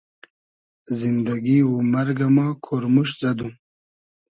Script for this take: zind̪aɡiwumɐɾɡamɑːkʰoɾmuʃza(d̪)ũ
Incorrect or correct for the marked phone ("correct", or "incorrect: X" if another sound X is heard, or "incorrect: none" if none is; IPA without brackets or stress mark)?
correct